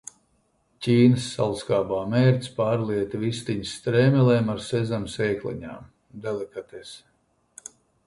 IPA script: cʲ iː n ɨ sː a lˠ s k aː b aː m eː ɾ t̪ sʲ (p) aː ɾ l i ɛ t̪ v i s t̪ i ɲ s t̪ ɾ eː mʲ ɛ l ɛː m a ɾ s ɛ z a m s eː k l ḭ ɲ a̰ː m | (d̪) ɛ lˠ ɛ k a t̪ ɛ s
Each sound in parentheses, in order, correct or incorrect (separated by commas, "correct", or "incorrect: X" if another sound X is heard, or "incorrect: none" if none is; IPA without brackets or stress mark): correct, correct